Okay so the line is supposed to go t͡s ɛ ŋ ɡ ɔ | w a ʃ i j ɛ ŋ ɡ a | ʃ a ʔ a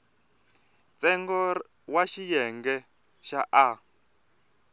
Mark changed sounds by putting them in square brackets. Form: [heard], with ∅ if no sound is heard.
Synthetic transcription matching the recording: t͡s ɛ ŋ ɡ ɔ | w a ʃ i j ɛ ŋ ɡ [ɛ] | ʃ a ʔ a